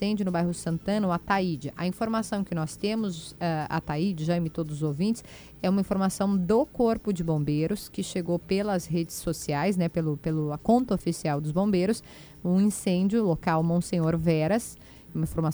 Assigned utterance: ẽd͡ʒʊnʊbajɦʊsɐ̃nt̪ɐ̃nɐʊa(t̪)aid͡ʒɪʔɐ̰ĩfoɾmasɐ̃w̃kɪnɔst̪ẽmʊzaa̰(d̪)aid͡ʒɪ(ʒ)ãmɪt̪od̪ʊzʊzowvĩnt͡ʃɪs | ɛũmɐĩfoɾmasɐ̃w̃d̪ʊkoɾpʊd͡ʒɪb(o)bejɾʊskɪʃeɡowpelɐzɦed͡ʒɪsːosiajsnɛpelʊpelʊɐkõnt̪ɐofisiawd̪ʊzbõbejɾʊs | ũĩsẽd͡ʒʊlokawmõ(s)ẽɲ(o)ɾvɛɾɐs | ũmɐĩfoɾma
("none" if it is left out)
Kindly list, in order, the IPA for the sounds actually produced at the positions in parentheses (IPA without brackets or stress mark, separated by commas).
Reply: t̪, t̪, ʒ, õ, s, o